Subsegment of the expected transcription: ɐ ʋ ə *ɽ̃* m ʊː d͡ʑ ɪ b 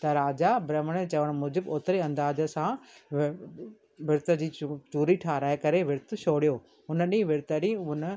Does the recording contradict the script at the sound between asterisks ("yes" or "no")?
no